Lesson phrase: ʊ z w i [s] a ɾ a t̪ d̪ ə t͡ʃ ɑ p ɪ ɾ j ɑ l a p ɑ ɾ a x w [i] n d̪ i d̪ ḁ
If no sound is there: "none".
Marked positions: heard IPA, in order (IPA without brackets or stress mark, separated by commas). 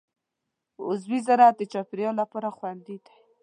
z, a